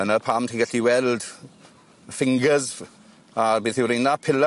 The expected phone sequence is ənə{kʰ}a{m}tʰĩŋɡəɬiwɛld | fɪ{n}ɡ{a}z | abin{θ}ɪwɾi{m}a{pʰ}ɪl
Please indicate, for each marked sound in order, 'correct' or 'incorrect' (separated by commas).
incorrect, correct, incorrect, incorrect, correct, incorrect, correct